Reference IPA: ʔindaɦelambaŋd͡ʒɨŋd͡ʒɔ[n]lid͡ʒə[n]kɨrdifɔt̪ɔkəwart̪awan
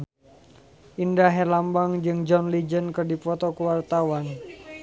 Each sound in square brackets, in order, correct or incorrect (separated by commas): correct, correct